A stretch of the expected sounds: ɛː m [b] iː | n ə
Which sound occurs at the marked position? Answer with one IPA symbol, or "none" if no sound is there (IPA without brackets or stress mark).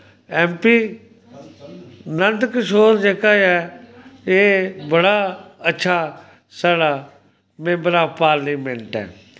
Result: p